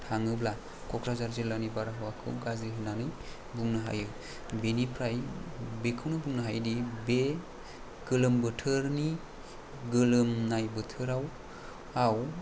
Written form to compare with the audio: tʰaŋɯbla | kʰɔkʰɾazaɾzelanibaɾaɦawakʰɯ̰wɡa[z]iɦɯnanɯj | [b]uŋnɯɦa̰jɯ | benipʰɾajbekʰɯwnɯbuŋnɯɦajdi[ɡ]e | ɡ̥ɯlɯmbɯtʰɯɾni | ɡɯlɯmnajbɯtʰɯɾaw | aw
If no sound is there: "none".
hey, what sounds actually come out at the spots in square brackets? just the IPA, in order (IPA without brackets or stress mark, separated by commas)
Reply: z, b, b